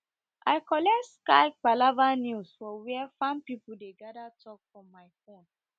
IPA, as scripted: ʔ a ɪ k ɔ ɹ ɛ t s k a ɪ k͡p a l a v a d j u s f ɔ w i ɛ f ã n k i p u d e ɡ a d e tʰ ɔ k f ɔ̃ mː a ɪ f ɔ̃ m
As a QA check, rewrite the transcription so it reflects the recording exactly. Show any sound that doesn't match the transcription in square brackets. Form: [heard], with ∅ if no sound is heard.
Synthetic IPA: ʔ a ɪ k ɔ [l] ɛ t s k a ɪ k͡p a l a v a [n] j u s f ɔ w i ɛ f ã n [p] i p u d e ɡ a d [a] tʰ ɔ k f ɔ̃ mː a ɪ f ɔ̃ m